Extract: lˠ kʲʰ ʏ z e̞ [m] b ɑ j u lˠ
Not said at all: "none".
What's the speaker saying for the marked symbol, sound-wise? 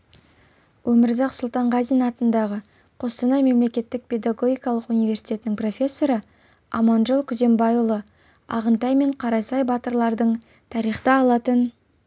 m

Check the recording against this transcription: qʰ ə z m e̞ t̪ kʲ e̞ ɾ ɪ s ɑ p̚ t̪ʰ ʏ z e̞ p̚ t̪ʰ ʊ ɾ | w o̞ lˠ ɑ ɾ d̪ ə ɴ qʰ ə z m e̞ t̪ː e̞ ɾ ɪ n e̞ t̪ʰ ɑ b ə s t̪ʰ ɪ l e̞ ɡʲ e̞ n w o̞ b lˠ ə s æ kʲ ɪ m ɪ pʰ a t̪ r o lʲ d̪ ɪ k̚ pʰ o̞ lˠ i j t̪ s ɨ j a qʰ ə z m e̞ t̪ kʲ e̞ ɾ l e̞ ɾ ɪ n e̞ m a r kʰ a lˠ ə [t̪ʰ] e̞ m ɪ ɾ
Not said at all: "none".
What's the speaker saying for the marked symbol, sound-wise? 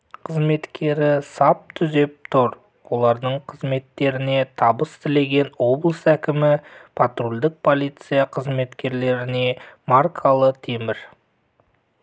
t̪ʰ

